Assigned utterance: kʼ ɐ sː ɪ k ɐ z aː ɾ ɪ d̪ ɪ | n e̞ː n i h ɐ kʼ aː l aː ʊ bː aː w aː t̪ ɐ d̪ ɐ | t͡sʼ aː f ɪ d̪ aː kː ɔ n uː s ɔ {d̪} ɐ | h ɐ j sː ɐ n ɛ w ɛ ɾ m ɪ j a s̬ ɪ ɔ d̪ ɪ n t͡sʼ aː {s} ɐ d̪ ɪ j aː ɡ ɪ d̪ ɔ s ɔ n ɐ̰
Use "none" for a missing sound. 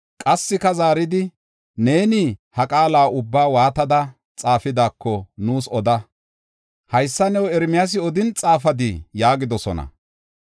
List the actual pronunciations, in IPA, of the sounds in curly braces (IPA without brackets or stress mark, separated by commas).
d̪, f